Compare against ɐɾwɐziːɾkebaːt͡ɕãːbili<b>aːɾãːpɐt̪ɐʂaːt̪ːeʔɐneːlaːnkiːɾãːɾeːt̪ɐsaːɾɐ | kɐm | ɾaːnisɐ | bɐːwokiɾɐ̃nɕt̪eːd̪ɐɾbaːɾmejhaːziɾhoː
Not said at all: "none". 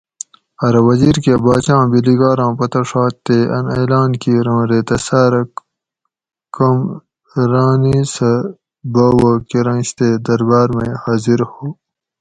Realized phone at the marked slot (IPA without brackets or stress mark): ɡ